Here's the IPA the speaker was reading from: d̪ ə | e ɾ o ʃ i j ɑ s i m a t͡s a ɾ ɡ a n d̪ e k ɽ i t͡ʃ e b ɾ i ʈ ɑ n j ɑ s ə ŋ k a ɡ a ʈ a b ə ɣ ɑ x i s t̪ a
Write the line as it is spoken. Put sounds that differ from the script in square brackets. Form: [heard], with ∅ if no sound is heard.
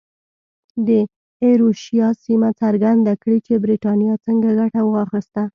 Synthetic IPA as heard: d̪ ə | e ɾ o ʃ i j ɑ s i m a t͡s a ɾ ɡ a n d̪ [a] k ɽ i t͡ʃ e b ɾ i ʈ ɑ n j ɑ [t͡s] ə ŋ [ɡ] a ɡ a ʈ a [w] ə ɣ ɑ x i s t̪ a